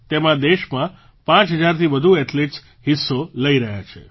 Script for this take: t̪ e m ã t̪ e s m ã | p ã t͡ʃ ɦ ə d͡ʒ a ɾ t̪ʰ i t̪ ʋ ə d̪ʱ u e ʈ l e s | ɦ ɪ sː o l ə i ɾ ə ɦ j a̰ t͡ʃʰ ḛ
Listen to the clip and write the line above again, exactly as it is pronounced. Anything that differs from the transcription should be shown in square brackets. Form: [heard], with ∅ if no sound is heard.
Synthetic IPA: t̪ e m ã [d̪] e [ʃ] m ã | p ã t͡ʃ ɦ ə d͡ʒ a ɾ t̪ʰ i [∅] ʋ ə d̪ʱ u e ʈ l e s | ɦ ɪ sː o l ə i ɾ ə ɦ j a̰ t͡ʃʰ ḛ